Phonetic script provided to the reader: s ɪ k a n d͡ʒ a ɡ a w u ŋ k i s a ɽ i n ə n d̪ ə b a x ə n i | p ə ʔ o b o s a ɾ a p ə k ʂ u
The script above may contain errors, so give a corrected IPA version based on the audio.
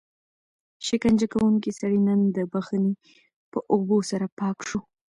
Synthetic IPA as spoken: ʃ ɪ k a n d͡ʒ a k a w u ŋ k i s a ɽ i n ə n d̪ ə b a x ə n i | p ə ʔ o b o s a ɾ a p ɑ k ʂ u